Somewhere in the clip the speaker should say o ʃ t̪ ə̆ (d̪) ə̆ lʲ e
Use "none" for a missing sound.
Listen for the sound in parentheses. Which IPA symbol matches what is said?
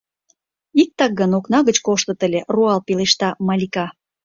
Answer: t̪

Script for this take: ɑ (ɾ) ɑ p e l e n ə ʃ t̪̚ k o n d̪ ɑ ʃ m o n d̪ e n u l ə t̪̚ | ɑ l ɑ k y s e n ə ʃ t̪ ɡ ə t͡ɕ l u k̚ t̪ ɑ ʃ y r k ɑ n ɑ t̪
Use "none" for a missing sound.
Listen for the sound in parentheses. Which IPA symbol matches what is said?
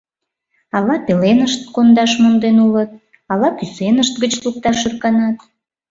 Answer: l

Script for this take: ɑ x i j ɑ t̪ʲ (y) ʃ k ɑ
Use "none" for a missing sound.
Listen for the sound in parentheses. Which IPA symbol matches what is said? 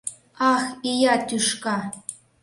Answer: y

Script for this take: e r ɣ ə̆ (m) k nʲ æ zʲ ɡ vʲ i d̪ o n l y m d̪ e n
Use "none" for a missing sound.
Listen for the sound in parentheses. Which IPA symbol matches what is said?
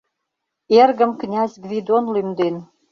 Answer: m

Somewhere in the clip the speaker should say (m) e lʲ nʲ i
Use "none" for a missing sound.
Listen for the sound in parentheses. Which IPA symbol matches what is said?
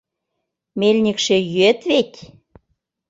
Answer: m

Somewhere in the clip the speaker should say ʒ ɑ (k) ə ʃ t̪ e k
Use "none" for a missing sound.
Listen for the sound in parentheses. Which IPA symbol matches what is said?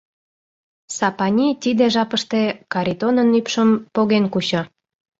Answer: p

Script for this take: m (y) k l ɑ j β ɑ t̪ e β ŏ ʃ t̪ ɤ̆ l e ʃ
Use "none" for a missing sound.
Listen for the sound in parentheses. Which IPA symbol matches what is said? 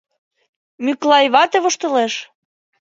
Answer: y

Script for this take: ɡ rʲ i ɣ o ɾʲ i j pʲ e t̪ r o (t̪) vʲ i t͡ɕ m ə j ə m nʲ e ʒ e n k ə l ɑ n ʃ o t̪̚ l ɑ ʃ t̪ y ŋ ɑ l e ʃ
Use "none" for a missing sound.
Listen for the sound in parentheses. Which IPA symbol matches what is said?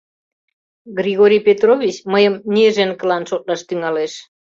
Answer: none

